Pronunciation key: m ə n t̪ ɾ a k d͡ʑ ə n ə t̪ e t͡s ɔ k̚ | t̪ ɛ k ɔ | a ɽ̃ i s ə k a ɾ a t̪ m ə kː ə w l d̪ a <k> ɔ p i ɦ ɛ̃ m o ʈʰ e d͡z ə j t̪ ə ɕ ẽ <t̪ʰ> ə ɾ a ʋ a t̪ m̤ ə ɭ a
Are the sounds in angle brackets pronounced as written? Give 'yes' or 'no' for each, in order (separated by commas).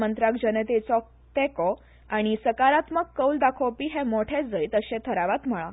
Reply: no, yes